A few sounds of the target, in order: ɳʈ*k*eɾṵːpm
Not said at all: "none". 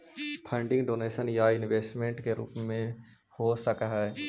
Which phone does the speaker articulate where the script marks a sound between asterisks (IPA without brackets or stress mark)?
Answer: k